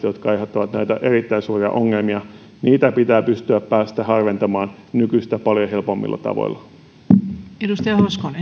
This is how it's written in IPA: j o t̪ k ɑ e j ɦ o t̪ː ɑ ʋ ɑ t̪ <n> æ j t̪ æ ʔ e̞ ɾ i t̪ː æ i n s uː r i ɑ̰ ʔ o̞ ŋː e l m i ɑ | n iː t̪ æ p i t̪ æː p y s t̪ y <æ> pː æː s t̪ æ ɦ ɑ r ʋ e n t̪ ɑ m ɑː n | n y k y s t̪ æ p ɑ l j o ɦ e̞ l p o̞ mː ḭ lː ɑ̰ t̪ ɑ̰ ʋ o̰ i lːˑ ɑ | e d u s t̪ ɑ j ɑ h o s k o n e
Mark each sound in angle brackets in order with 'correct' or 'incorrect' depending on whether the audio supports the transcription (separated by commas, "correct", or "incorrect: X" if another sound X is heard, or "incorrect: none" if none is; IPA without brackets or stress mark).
correct, correct